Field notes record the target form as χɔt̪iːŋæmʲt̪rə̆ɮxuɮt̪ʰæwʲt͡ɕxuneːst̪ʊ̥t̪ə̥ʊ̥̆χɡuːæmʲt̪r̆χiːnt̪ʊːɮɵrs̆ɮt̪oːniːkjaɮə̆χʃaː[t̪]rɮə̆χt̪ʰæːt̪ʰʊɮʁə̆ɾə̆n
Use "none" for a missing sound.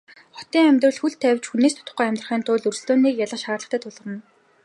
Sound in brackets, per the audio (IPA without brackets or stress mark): none